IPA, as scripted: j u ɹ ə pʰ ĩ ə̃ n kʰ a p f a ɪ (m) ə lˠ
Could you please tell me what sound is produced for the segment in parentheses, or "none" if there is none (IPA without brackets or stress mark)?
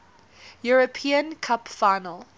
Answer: n